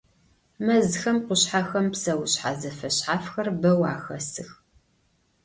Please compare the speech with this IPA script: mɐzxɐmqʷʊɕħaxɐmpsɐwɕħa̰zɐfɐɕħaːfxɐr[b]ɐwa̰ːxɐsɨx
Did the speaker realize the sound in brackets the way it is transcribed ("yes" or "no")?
yes